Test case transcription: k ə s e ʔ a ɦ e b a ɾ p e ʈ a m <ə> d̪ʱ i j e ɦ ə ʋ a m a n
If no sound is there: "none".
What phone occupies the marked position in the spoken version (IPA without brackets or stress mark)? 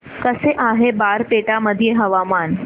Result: ə